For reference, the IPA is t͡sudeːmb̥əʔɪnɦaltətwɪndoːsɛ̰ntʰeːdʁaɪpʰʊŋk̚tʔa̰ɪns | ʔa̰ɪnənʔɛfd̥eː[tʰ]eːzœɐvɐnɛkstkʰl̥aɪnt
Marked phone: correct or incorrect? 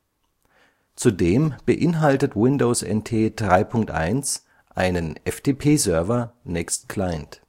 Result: incorrect: pʰ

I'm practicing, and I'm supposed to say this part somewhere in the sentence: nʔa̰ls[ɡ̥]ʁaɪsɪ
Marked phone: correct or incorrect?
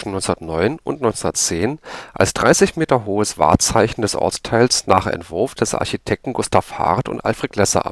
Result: incorrect: d̥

